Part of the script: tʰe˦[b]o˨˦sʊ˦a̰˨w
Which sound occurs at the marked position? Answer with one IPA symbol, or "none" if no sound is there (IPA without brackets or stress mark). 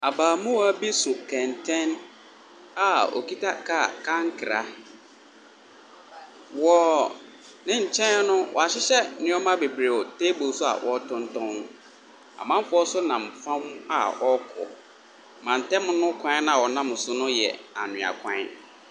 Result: b